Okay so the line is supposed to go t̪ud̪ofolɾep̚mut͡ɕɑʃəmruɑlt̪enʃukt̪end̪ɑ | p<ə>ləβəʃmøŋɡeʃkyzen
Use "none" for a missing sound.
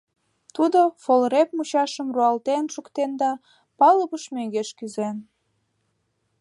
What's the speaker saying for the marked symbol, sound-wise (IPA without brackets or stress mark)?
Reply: ɑ